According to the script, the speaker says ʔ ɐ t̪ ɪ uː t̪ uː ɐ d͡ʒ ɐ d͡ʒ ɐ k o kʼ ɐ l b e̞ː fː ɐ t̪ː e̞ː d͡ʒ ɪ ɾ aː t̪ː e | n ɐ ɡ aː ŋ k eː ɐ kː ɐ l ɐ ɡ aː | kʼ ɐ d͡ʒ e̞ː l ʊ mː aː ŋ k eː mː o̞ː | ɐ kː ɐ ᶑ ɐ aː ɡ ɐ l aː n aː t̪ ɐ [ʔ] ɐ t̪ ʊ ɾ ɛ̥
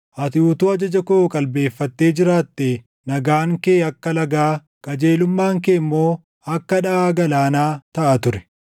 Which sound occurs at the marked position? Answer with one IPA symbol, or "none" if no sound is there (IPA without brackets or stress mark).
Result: ʔ